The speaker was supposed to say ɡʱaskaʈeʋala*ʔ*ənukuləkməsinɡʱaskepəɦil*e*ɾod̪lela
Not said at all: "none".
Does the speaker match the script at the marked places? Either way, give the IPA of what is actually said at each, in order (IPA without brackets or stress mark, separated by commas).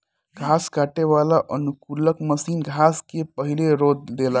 ʔ, e